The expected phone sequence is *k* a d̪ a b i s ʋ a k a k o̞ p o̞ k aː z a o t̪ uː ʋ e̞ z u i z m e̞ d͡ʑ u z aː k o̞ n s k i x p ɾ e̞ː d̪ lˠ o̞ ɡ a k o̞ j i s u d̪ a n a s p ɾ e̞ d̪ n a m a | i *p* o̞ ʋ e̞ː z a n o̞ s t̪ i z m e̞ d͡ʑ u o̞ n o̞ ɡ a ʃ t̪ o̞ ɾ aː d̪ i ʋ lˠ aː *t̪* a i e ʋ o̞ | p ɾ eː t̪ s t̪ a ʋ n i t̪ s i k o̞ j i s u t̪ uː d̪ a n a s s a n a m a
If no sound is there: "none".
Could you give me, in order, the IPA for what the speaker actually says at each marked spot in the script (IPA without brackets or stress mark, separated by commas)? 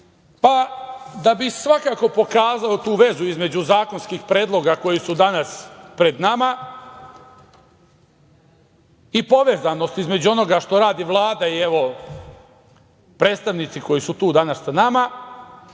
p, p, d̪